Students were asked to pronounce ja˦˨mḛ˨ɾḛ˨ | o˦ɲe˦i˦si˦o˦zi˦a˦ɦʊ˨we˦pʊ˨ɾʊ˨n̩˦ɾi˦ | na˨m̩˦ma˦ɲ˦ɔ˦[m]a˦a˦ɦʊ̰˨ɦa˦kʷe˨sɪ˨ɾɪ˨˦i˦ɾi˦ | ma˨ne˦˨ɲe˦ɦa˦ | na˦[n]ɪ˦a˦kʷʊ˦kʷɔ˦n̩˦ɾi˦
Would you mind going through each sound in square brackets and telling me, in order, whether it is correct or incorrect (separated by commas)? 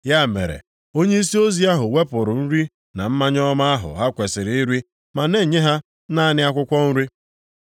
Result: correct, correct